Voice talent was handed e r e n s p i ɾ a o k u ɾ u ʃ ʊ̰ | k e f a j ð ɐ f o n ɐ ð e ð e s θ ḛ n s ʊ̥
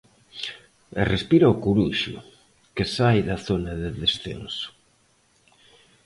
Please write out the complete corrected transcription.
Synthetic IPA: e r e s p i ɾ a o k u ɾ u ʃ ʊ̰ | k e s a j ð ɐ θ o n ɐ ð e ð e s θ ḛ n s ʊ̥